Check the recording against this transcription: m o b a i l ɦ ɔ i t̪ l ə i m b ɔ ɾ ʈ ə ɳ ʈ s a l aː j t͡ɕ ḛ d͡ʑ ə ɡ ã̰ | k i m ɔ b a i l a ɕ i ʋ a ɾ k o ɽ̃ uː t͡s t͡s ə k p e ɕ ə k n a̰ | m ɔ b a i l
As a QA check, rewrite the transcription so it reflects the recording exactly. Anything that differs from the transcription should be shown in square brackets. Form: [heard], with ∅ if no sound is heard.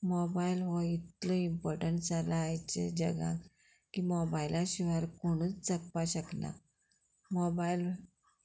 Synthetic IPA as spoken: m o b a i l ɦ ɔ i t̪ l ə i m [p] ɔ ɾ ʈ ə ɳ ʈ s a l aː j t͡ɕ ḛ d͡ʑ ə ɡ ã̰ | k i m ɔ b a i l a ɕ i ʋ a ɾ k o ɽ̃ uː t͡s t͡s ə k p [a] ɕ ə k n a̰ | m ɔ b a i l